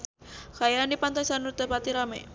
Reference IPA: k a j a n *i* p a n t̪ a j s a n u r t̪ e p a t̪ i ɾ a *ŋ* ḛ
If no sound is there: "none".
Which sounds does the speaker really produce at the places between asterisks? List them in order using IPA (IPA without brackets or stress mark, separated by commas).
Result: i, m